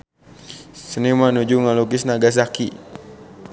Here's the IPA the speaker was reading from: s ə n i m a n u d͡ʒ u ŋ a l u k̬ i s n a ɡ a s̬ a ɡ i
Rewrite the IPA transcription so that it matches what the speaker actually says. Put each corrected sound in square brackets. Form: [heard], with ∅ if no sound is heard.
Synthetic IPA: s ə n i m a n u d͡ʒ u ŋ a l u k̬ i s n a ɡ a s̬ a [k] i